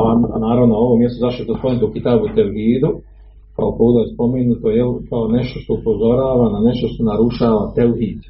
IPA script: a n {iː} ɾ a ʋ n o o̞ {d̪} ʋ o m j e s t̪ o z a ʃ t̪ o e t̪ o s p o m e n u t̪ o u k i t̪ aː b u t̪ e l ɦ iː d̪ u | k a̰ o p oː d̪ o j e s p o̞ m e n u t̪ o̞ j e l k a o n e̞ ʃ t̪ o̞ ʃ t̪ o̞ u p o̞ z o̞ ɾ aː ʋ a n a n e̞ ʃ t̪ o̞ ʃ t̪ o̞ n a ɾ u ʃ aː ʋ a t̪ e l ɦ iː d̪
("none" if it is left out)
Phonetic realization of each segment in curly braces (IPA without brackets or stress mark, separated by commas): aː, none